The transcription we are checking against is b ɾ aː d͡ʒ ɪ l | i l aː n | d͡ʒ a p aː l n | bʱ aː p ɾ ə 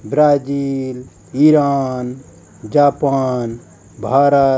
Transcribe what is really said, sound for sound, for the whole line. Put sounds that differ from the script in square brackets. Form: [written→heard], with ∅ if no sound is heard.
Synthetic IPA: b ɾ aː d͡ʒ [ɪ→i] l | i [l→ɾ] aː n | d͡ʒ a p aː [l→∅] n | bʱ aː [p→∅] ɾ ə